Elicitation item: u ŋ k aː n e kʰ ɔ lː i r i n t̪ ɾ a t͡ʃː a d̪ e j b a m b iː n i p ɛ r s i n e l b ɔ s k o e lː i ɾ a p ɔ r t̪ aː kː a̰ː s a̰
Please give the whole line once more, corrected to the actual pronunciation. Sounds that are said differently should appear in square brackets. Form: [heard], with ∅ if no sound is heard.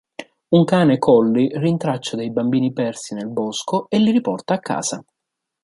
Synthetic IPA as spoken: u ŋ k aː n e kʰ ɔ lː i r i n t̪ ɾ a t͡ʃː a d̪ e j b a m b iː n i p ɛ r s i n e l b ɔ s k o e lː i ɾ [i] p ɔ r t̪ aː kː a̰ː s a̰